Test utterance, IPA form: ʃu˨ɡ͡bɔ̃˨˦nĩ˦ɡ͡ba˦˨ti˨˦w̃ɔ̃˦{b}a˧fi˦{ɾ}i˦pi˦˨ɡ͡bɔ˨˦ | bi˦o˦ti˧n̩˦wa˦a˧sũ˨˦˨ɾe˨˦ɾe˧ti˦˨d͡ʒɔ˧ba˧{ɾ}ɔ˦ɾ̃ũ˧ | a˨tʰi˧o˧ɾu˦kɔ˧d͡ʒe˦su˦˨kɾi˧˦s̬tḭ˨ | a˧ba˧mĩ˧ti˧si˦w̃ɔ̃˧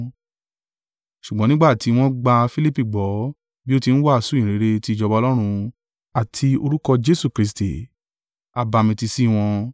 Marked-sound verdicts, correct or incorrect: incorrect, incorrect, incorrect

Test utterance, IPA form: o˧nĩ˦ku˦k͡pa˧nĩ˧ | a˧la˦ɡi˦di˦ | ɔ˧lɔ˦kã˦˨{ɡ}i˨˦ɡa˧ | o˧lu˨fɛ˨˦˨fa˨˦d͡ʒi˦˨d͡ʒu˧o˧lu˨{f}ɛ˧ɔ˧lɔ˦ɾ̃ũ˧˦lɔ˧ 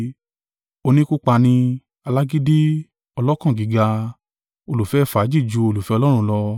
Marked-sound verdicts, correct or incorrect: correct, correct

